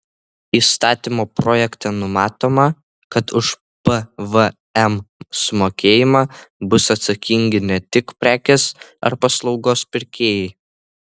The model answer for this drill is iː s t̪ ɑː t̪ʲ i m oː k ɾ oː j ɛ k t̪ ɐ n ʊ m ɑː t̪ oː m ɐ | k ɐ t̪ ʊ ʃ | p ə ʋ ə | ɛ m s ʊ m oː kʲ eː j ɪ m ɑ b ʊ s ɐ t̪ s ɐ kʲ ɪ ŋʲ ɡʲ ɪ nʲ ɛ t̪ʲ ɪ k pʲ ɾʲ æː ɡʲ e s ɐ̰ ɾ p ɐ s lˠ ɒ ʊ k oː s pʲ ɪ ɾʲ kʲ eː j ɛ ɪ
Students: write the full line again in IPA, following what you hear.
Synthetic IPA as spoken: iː s t̪ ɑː t̪ʲ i m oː p ɾ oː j ɛ k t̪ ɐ n ʊ m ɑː t̪ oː m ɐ | k ɐ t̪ ʊ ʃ | p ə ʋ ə | ɛ m s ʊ m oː kʲ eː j ɪ m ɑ b ʊ s ɐ t̪ s ɐ kʲ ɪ ŋʲ ɡʲ ɪ nʲ ɛ t̪ʲ ɪ k pʲ ɾʲ æː kʲ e s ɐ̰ ɾ p ɐ s lˠ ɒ ʊ ɡ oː s pʲ ɪ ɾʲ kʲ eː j ɛ ɪ